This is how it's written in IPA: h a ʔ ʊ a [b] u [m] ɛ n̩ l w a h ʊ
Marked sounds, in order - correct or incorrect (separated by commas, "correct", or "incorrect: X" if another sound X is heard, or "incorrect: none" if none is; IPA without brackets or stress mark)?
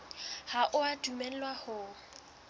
incorrect: d, correct